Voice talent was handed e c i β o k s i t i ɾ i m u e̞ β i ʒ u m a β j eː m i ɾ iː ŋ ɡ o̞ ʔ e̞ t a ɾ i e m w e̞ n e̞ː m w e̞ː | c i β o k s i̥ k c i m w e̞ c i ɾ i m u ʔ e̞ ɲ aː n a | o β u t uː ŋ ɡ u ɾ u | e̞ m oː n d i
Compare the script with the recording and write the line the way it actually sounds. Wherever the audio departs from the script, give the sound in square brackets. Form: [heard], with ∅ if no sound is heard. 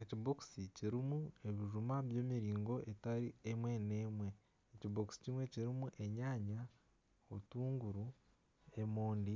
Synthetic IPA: e c i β o k s i [c] i ɾ i m u e̞ β i ʒ u m a β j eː m i ɾ iː ŋ ɡ o̞ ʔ e̞ t a ɾ i e m w e̞ n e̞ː m w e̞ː | c i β o k s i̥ [∅] c i m w e̞ c i ɾ i m u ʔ e̞ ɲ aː [ɲ] a | o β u t uː ŋ ɡ u ɾ u | e̞ m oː n d i